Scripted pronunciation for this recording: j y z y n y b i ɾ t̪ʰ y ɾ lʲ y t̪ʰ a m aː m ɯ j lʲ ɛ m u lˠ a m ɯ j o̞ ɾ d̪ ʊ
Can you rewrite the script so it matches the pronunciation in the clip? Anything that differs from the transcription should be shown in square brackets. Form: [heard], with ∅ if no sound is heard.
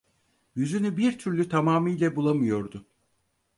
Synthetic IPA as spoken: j y z y n y b i ɾ t̪ʰ y ɾ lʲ y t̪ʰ a m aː m ɯ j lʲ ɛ [b] u lˠ a m ɯ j o̞ ɾ d̪ ʊ